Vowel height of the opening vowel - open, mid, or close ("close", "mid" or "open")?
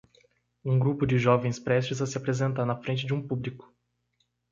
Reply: close